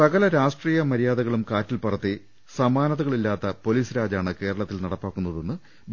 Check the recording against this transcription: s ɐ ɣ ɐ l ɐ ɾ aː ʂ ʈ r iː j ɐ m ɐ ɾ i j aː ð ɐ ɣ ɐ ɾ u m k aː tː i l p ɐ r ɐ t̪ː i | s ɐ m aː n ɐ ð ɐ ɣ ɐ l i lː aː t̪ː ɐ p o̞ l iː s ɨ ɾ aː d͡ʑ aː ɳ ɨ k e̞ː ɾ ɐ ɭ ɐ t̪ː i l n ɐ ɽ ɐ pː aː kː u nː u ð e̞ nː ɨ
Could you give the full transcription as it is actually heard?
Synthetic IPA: s ɐ ɣ ɐ l ɐ ɾ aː ʂ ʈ r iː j ɐ m ɐ ɾ i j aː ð ɐ ɣ ɐ ɭ u m k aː tː i l p ɐ r ɐ t̪ː i | s ɐ m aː n ɐ ð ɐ ɣ ɐ ɭ i lː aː t̪ː ɐ p o̞ l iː s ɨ ɾ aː d͡ʑ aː ɳ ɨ k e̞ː ɾ ɐ ɭ ɐ t̪ː i l n ɐ ɽ ɐ pː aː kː u nː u ð e̞ nː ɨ